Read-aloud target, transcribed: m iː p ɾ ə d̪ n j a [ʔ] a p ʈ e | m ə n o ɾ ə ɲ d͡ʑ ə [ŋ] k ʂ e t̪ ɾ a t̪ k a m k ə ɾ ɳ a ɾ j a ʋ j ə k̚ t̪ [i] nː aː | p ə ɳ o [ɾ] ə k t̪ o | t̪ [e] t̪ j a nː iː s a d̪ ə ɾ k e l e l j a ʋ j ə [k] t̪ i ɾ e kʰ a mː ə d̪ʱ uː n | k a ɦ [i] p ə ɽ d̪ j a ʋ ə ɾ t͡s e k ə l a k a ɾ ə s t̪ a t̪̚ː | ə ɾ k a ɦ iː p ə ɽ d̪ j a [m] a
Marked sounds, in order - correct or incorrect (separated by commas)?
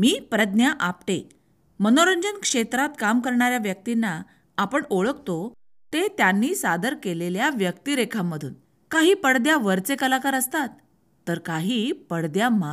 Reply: correct, incorrect, correct, incorrect, correct, correct, incorrect, correct